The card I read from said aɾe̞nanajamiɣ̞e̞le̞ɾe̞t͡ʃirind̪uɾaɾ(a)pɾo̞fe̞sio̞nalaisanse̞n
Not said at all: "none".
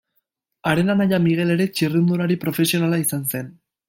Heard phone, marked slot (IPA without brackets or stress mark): i